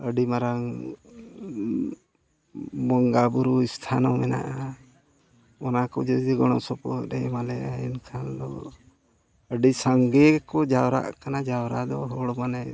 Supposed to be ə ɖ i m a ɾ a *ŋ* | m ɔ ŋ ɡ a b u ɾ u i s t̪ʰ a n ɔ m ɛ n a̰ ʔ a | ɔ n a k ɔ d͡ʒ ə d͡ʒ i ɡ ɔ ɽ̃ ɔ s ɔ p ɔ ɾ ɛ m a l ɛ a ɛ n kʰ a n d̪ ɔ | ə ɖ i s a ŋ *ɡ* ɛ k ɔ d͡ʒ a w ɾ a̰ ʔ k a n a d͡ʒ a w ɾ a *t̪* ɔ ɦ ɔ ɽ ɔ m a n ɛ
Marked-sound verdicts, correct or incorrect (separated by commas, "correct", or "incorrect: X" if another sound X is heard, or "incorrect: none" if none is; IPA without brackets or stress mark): correct, correct, incorrect: d̪